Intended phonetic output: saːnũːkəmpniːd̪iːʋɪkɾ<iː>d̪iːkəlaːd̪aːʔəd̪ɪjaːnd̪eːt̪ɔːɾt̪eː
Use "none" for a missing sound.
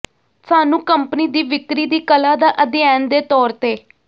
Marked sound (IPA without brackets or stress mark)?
iː